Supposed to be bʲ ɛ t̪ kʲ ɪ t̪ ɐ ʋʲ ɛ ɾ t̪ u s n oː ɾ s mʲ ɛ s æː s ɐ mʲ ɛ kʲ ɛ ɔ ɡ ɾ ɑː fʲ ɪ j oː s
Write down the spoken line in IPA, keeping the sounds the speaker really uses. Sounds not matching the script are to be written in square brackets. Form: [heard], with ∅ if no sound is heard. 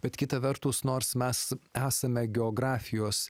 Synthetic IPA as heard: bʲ ɛ t̪ kʲ ɪ t̪ ɐ ʋʲ ɛ ɾ t̪ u s n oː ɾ s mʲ ɛ s æː s ɐ mʲ ɛ [ɡʲ] ɛ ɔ ɡ ɾ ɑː fʲ ɪ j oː s